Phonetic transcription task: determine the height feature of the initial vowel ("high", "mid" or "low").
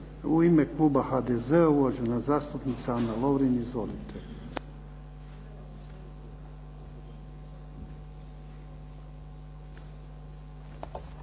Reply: high